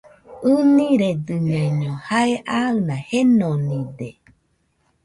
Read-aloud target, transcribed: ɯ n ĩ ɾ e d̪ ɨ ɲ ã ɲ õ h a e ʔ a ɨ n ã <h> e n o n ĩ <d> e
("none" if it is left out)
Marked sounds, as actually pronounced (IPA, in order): h, d

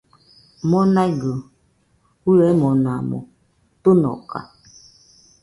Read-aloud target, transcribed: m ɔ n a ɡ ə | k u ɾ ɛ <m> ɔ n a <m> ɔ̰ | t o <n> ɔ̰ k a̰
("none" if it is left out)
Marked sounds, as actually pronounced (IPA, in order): m, m, n

